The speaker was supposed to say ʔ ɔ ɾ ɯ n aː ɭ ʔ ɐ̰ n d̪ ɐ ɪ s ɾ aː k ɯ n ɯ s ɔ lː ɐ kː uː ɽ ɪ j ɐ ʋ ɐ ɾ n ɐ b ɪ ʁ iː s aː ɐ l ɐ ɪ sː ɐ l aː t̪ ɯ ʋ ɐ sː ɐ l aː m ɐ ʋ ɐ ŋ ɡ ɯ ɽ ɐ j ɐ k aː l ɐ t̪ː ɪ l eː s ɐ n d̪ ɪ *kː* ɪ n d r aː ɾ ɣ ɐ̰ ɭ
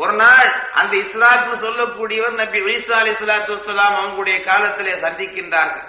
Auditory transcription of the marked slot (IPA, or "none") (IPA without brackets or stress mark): kː